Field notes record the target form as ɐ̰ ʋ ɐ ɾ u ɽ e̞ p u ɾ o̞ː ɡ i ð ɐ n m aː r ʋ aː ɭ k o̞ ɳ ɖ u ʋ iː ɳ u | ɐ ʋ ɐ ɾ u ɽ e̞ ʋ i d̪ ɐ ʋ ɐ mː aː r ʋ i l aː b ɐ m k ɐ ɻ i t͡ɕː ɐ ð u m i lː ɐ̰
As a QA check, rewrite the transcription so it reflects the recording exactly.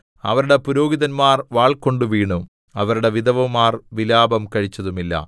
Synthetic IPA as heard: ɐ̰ ʋ ɐ ɾ u ɽ e̞ p u ɾ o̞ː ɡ i ð ɐ n m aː r ʋ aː ɭ k o̞ ɳ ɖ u ʋ iː ɳ u | ɐ ʋ ɐ ɾ u ɽ e̞ ʋ i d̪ ɐ ʋ ɐ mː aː r ʋ i l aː b ɐ m k ɐ ɻ i t͡ɕː ɐ ð u m i lː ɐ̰

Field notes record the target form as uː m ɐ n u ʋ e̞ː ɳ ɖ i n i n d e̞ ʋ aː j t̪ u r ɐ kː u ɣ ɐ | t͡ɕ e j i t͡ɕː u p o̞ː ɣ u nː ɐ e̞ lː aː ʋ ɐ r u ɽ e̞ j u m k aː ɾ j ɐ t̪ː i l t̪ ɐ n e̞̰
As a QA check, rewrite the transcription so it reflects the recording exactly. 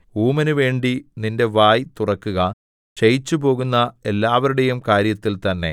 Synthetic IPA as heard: uː m ɐ n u ʋ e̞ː ɳ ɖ i n i n d e̞ ʋ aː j t̪ u r ɐ kː u ɣ ɐ | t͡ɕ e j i t͡ɕː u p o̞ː ɣ u nː ɐ e̞ lː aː ʋ ɐ ɾ u ɽ e̞ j u m k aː ɾ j ɐ t̪ː i l t̪ ɐ nː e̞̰

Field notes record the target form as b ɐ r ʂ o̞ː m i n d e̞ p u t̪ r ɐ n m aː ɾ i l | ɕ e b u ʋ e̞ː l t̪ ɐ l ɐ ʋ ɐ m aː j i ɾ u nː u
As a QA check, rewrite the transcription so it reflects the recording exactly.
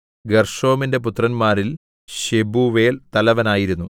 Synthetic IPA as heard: ɡ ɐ r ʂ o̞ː m i n d e̞ p u t̪ r ɐ n m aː ɾ i l | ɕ e b u ʋ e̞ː l t̪ ɐ l ɐ ʋ ɐ n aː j i ɾ u nː u

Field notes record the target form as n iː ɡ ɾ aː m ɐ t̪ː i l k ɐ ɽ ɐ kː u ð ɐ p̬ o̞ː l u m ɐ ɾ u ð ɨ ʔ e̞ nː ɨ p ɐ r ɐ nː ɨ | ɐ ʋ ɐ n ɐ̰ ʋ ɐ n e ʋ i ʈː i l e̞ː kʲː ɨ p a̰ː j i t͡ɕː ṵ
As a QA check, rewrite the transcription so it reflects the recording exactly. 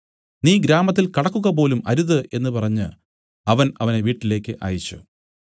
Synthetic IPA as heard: n iː ɡ ɾ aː m ɐ t̪ː i l k ɐ ɽ ɐ kː u ɣ ɐ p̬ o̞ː l u m ɐ ɾ u ð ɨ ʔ e̞ nː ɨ p ɐ r ɐ ɲː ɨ | ɐ ʋ ɐ n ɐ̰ ʋ ɐ n e ʋ iː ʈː i l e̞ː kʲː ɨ ʔ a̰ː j i t͡ɕː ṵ

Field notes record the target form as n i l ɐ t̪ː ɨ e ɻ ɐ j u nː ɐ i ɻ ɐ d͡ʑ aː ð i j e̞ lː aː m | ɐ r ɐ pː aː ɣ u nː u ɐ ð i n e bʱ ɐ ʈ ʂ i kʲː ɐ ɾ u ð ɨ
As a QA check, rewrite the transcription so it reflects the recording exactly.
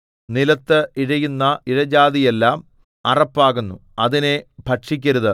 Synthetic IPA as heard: n i l ɐ t̪ː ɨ i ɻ ɐ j u nː ɐ i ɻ ɐ d͡ʑ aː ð i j e̞ lː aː m | ɐ r ɐ pː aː ɣ u nː u ɐ ð i n e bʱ ɐ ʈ ʂ i kʲː ɐ ɾ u ð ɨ

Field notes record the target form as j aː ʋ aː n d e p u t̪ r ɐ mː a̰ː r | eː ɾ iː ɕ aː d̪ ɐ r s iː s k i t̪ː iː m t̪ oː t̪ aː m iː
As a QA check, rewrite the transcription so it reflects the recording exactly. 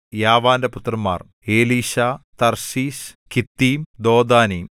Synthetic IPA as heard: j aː ʋ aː n d e p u t̪ r ɐ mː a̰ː r | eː l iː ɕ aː t̪ ɐ r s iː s k i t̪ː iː m d̪ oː d̪ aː n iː

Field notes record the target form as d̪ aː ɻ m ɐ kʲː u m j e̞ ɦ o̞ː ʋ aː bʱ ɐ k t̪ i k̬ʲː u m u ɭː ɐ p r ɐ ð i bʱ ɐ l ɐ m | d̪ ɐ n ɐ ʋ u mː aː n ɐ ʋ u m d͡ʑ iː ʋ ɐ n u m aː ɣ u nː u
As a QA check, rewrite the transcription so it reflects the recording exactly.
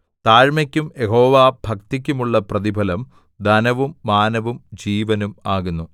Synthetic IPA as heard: t̪ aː ɻ m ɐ kʲː u m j e̞ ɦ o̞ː ʋ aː bʱ ɐ k t̪ i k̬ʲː u m u ɭː ɐ p r ɐ ð i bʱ ɐ l ɐ m | d̪ ɐ n ɐ ʋ u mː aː n ɐ ʋ u m d͡ʑ iː ʋ ɐ n u m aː ɣ u nː u

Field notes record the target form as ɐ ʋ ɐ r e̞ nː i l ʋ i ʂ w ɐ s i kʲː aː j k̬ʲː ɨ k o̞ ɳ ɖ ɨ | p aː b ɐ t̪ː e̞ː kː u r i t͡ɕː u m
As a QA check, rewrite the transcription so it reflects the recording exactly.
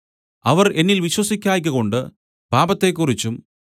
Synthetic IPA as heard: ɐ ʋ ɐ r e̞ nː i l ʋ i ɕ w ɐ s i kʲː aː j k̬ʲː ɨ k o̞ ɳ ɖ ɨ | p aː b ɐ t̪ː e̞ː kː u r i t͡ɕː u m

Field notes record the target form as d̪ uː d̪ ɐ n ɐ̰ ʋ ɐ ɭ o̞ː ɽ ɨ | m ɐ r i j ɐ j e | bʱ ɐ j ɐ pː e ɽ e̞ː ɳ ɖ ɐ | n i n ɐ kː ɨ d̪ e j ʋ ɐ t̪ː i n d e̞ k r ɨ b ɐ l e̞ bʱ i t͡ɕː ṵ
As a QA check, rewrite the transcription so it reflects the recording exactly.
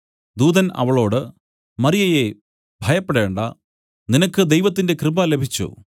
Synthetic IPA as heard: d̪ uː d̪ ɐ n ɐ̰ ʋ ɐ ɭ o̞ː ɽ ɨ | m ɐ r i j ɐ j e | bʱ ɐ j ɐ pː e ɽ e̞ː ɳ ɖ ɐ | n i n ɐ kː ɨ d̪ e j ʋ ɐ t̪ː i n d e̞ k r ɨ b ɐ l e̞ bʱ i t͡ɕː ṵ

